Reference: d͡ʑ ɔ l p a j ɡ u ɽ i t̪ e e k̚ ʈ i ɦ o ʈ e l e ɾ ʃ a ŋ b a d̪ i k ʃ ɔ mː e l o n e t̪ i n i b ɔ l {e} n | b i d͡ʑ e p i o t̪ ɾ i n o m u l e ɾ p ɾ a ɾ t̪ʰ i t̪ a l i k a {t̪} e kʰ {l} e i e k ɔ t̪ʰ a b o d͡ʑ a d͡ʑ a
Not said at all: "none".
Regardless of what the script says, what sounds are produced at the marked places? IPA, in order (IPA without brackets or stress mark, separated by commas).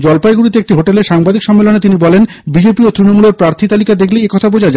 e, d̪, l